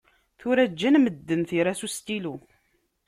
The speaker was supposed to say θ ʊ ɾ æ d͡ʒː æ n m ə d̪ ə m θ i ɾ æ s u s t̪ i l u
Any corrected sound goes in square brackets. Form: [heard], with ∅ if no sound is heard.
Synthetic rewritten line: θ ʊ ɾ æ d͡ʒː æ n m ə [d̪ː] ə [n] θ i ɾ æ s u s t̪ i l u